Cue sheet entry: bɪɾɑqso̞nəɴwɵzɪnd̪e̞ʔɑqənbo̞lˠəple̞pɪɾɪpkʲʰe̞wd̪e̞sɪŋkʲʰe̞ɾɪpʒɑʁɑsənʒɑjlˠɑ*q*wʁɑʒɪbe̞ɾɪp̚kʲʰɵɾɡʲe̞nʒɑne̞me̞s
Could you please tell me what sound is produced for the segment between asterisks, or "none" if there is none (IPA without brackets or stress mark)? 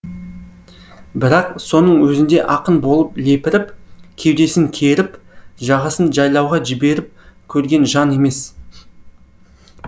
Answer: none